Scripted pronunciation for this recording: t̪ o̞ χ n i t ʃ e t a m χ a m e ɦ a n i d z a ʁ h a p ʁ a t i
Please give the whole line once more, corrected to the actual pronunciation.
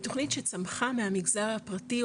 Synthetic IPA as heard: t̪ o̞ χ n i t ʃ e t͡s a m χ a m e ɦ a m i ɡ z a ʁ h a p ʁ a t i

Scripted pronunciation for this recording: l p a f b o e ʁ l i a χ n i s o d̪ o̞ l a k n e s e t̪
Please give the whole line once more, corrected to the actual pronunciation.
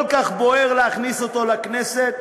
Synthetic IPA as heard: l k a χ b o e ʁ l e a χ n i s o t̪ o̞ l a k n e s e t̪

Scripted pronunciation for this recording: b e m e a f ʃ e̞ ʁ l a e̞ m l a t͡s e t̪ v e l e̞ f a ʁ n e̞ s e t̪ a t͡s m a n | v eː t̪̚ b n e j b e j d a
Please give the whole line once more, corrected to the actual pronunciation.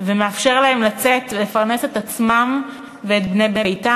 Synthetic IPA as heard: v e m e a f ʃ e̞ ʁ l a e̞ m l a t͡s e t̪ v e l e̞ f a ʁ n e̞ s e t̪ a t͡s m a m | v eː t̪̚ b n e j b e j t a

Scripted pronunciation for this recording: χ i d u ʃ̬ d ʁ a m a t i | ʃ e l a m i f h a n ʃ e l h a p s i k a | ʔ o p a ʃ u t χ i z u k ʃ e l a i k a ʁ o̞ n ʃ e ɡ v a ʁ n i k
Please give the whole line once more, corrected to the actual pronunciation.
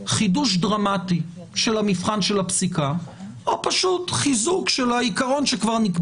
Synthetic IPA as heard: χ i d u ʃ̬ d ʁ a m a t i | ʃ e l a m i f χ a n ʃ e l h a p s i k a | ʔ o p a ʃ u t χ i z u k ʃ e l a i k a ʁ o̞ n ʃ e k v a ʁ n i k

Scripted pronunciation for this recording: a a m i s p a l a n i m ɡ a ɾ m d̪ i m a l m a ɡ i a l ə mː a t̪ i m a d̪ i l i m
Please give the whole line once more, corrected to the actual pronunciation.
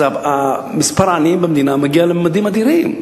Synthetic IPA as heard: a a m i s p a ɾ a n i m b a m d̪ i n a m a ɡ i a l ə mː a d̪ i m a d̪ i ɾ i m

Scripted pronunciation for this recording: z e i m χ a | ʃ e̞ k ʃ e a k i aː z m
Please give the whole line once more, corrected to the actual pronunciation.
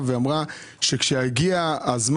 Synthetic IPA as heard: v e a m ʁ a | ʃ e̞ k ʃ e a ɡ i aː z m

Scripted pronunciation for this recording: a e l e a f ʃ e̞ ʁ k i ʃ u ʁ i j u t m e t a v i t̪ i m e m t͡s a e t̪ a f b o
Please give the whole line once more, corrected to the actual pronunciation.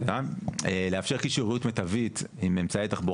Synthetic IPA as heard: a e l e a f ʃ e̞ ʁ k i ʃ u ʁ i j u t m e t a v i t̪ i m e m t͡s a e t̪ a χ b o

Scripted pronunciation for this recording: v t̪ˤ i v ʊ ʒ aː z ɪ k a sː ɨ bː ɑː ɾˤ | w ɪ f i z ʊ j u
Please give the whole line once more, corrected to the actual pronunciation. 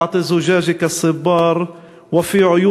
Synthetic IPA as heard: ʕ t̪ˤ i z ʊ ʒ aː ʒ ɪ k a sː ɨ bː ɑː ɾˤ | w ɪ f i ʕ ʊ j u

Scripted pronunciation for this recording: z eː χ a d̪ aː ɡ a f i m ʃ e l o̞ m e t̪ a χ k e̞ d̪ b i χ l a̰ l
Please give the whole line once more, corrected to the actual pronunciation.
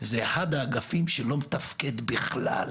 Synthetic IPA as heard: z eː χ a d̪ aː ɡ a f i m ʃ e l o̞ m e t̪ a f k e̞ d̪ b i χ l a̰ l

